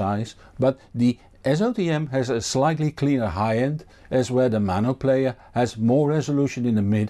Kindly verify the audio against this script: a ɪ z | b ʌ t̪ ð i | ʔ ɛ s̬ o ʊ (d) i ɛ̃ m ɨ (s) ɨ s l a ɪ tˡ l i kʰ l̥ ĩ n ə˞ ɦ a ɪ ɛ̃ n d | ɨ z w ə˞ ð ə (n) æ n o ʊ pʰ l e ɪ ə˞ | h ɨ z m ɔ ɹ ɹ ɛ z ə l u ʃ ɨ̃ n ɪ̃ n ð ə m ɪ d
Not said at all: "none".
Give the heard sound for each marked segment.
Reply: t, z, m

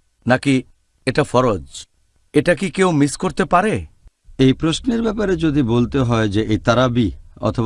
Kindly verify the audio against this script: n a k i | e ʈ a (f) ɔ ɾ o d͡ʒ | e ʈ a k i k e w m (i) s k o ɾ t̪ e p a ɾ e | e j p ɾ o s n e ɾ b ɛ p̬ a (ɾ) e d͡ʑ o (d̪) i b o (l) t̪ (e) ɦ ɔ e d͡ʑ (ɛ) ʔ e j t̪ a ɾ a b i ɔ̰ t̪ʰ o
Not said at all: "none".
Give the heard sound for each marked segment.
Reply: f, i, ɾ, d̪, l, e, e

